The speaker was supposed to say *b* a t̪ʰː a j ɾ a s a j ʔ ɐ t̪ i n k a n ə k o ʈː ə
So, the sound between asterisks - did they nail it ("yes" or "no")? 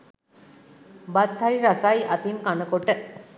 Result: yes